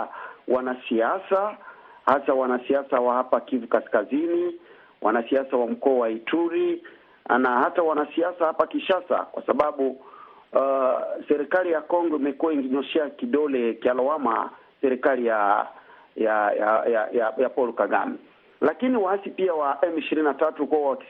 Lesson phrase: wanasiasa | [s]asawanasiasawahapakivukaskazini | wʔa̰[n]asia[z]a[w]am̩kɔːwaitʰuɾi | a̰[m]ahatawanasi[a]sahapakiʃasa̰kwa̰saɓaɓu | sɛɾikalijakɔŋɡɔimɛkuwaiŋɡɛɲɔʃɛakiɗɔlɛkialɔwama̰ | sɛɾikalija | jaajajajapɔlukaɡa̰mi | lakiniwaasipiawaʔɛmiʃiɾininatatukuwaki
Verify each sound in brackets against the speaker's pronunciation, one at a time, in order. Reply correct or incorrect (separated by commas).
incorrect, correct, incorrect, correct, incorrect, correct